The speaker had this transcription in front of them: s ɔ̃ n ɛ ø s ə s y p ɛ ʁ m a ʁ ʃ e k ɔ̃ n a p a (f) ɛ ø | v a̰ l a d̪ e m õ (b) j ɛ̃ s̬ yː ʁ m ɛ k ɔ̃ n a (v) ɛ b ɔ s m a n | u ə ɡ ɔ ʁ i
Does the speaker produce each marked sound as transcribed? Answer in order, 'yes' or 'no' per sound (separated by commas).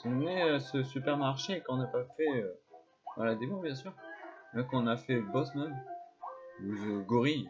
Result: yes, yes, no